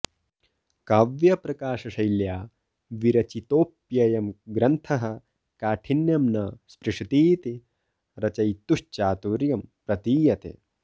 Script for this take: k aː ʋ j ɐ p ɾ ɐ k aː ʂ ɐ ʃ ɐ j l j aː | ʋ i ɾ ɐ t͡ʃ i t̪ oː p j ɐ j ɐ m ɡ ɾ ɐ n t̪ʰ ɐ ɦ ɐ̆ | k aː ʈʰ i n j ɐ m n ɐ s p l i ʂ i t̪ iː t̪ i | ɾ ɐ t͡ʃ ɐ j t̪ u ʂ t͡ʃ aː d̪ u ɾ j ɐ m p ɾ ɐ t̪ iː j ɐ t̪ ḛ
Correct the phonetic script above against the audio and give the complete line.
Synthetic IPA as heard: k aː ʋ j ɐ p ɾ ɐ k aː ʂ ɐ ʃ ɐ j l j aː | ʋ i ɾ ɐ t͡ʃ i t̪ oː p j ɐ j ɐ m ɡ ɾ ɐ n t̪ʰ ɐ ɦ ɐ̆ | k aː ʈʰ i n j ɐ m n ɐ s p ɾ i ʂ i t̪ iː t̪ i | ɾ ɐ t͡ʃ ɐ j t̪ u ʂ t͡ʃ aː t̪ u ɾ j ɐ m p ɾ ɐ t̪ iː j ɐ t̪ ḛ